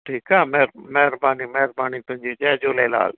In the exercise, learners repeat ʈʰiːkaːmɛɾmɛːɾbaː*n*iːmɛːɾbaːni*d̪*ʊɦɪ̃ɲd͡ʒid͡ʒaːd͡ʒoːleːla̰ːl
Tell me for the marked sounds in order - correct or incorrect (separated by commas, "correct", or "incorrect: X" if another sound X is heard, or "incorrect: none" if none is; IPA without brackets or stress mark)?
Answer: correct, incorrect: t̪